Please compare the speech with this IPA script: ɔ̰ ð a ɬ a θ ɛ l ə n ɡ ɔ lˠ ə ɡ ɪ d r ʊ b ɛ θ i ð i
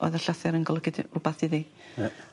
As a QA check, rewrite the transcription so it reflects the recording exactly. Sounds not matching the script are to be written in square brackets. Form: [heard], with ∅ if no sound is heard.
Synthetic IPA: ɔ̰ ð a ɬ a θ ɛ [ɾ] ə n ɡ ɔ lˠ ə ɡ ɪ d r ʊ b [a] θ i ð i